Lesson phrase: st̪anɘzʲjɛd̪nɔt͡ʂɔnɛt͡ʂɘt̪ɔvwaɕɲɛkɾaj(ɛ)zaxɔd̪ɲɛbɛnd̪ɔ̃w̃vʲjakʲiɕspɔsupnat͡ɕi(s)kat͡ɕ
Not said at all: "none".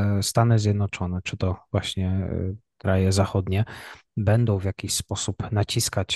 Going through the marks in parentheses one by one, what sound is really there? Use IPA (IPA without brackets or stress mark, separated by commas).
ɛ, s